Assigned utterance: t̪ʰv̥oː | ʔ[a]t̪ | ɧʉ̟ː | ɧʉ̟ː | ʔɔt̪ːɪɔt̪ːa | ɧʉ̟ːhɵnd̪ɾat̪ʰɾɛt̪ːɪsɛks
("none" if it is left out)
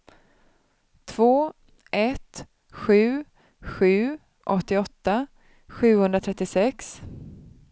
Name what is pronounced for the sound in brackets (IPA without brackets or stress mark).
ɛ